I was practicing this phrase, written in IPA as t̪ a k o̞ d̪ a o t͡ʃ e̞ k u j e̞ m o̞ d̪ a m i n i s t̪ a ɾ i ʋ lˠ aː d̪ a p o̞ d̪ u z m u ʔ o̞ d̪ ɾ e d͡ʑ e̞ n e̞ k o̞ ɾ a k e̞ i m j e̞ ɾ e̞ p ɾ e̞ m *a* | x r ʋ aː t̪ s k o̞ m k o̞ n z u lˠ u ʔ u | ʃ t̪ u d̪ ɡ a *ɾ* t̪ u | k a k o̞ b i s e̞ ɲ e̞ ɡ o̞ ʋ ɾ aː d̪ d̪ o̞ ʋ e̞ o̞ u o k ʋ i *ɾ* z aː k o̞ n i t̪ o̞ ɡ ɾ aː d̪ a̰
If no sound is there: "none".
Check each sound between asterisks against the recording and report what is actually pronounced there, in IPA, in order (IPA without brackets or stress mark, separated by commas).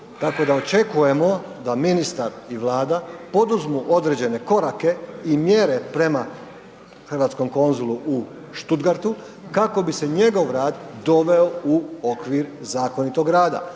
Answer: a, ɾ, ɾ